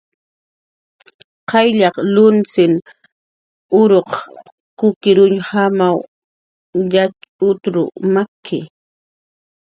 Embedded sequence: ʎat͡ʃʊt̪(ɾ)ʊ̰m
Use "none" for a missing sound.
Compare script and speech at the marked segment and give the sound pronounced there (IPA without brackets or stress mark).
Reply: ɾ